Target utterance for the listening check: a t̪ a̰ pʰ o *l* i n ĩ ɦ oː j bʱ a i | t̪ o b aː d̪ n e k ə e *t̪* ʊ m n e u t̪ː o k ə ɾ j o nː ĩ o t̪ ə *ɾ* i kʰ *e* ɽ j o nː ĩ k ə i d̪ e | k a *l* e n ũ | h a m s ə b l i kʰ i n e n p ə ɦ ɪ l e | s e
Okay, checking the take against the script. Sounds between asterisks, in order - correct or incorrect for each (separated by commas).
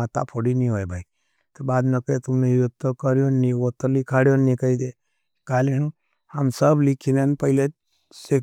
incorrect, correct, incorrect, incorrect, correct